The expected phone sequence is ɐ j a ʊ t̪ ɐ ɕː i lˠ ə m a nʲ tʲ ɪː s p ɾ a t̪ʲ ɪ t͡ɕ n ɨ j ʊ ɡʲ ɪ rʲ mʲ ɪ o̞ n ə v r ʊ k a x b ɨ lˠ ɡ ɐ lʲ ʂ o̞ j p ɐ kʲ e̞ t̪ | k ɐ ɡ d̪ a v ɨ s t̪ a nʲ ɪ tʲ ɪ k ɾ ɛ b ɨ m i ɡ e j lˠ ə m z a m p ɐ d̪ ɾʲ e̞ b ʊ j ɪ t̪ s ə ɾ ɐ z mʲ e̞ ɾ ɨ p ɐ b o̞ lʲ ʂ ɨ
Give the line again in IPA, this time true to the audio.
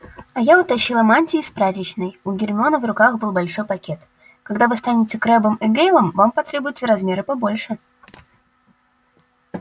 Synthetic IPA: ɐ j a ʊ t̪ ɐ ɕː i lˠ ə m a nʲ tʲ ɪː s p ɾ a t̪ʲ ɪ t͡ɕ n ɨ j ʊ ɡʲ ɪ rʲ mʲ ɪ o̞ n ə v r ʊ k a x b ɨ lˠ b ɐ lʲ ʂ o̞ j p ɐ kʲ e̞ t̪ | k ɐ ɡ d̪ a v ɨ s t̪ a nʲ ɪ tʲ ɪ k ɾ ɛ b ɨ m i ɡ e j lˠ ə m v a m p ɐ t̪ ɾʲ e̞ b ʊ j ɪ t̪ s ə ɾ ɐ z mʲ e̞ ɾ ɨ p ɐ b o̞ lʲ ʂ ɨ